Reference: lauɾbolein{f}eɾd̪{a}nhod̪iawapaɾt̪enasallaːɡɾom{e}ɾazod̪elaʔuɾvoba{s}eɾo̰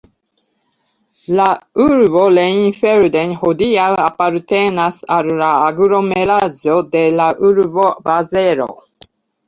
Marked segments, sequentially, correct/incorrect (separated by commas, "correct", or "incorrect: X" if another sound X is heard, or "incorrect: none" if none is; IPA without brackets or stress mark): correct, incorrect: e, correct, incorrect: z